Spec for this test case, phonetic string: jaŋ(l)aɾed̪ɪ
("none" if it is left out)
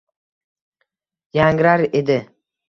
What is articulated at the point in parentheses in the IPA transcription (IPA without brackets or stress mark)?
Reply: ɾ